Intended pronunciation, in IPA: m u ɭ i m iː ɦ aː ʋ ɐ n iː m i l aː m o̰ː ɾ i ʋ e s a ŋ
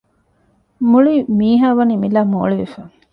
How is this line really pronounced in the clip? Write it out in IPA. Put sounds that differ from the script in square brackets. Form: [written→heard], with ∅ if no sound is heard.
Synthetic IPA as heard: m u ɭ i m iː ɦ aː ʋ ɐ n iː m i l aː m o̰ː [ɾ→ɭ] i ʋ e [s→f] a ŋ